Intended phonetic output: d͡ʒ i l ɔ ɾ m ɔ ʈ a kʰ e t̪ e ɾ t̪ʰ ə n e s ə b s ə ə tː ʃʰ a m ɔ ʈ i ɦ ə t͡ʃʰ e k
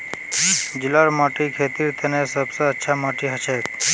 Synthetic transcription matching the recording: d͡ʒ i l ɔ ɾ m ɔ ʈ i kʰ e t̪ i ɾ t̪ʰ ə n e s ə b s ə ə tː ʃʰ a m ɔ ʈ i ɦ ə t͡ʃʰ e k